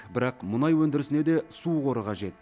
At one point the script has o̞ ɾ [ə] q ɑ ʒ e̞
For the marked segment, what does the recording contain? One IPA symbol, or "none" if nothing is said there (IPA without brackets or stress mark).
ə